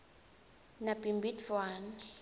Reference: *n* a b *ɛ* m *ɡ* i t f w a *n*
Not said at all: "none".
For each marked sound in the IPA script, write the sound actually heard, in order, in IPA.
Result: n, i, b, n

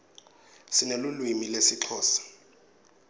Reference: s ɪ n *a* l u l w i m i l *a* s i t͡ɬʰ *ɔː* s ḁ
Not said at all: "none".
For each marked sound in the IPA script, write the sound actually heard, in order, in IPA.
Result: e, e, ɔː

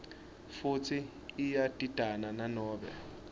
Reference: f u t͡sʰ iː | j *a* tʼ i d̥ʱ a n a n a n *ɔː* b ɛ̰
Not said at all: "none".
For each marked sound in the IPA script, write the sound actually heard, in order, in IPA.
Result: a, ɔː

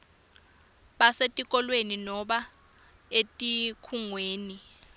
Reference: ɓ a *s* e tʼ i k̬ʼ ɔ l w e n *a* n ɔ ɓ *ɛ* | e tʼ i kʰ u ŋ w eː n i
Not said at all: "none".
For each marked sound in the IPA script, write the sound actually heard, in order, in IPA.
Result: s, i, a

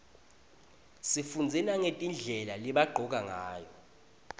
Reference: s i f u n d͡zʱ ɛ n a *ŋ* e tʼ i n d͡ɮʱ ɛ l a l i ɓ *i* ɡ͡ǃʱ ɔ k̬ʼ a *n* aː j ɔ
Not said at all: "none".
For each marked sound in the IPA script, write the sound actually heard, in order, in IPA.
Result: ŋ, a, ŋ

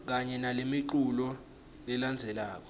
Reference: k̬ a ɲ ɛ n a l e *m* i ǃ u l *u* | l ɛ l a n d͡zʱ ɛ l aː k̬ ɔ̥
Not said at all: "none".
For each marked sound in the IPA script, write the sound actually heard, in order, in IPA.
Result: m, ɔ

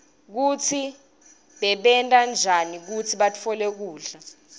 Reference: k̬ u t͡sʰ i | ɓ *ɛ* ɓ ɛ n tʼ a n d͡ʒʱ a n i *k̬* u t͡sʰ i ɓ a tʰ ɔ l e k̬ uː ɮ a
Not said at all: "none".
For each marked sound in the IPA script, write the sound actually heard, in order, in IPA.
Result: ɛ, k̬

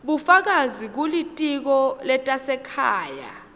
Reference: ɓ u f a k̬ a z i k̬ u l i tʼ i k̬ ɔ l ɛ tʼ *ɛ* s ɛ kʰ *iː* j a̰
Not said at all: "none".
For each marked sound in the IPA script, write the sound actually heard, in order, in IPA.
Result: a, aː

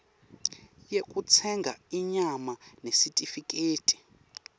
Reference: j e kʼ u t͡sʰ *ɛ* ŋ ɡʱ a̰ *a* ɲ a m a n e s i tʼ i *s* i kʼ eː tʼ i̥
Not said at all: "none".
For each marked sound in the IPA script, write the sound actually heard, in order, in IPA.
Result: ɛ, i, f

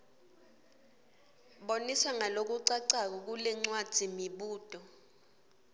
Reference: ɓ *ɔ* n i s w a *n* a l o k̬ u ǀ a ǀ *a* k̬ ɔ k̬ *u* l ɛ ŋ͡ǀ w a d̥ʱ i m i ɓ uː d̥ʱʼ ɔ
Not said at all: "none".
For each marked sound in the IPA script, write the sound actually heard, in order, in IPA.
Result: o, ŋ, a, u

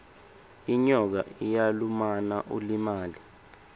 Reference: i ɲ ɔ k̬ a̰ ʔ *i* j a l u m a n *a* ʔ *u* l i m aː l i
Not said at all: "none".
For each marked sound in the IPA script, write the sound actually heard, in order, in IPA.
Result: i, a, u

